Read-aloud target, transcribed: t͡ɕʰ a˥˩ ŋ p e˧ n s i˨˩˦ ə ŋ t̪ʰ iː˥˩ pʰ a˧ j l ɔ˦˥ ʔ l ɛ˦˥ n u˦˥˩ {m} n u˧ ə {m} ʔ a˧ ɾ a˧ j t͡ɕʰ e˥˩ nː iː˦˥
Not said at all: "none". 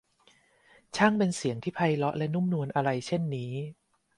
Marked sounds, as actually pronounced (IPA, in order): m, n

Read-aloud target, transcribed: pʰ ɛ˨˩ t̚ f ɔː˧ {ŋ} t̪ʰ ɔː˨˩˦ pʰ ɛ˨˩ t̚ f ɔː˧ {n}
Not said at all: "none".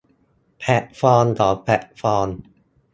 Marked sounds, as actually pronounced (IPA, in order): n, n

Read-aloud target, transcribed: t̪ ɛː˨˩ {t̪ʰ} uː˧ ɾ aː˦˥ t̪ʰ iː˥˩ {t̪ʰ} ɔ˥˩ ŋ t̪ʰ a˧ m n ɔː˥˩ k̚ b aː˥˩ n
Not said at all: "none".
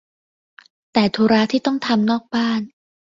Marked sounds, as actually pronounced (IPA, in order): t̪ʰ, t̪

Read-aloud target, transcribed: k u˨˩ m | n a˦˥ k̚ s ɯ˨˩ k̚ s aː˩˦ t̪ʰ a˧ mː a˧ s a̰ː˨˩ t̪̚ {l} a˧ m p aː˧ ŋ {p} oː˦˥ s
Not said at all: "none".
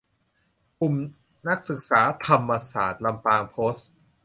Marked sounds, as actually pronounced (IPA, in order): l, pʰ

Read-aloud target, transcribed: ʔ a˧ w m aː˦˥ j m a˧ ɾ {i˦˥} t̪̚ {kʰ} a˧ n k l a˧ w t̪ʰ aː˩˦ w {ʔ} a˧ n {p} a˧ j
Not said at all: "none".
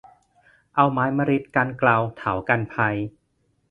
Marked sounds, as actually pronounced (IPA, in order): i˦˥, k, k, pʰ

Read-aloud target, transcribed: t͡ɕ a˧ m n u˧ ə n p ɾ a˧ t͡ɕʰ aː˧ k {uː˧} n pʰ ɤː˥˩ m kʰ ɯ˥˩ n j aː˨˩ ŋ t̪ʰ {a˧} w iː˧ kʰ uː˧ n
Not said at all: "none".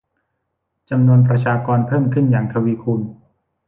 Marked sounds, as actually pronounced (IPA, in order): ɔː˧, a˧

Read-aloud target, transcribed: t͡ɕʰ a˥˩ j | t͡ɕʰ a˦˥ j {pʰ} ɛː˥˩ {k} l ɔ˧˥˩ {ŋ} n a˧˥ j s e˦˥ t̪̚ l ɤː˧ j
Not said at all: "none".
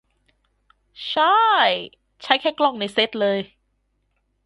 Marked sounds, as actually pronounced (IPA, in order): kʰ, k, ŋ

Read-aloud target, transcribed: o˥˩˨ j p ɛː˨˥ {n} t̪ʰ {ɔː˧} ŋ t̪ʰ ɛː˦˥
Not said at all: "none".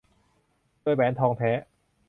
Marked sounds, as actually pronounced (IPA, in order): n, ɔː˧

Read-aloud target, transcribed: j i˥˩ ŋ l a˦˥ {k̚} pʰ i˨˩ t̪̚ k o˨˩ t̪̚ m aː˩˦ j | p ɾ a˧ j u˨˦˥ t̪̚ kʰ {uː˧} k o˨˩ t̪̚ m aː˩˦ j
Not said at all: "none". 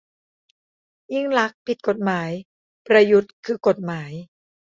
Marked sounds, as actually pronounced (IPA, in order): k̚, ɯː˧

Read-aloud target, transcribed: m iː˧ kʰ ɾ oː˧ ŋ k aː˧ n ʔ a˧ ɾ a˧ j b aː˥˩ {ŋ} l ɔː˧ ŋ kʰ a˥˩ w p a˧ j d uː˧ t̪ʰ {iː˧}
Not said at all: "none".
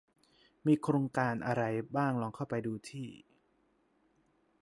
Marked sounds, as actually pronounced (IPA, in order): ŋ, iː˥˩

